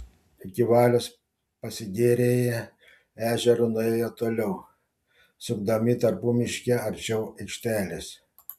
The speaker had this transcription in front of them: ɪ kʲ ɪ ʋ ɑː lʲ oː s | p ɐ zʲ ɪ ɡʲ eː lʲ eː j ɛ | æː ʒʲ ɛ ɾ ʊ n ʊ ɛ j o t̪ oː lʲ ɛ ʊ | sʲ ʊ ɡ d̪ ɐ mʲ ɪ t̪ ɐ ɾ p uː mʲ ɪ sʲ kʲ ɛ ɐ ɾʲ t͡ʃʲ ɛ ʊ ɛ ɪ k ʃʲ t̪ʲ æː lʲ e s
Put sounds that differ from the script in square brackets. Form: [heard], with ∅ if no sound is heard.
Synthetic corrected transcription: ɪ kʲ ɪ ʋ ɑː lʲ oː s | p ɐ [sʲ] ɪ ɡʲ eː [ɾʲ] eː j ɛ | æː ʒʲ ɛ ɾ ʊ n ʊ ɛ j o t̪ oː lʲ ɛ ʊ | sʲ ʊ ɡ d̪ ɐ mʲ ɪ t̪ ɐ ɾ p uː mʲ ɪ [ʃʲ] kʲ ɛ ɐ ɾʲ t͡ʃʲ ɛ ʊ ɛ ɪ k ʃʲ t̪ʲ æː lʲ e s